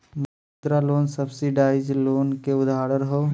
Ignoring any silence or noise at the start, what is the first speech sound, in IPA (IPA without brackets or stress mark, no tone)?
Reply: m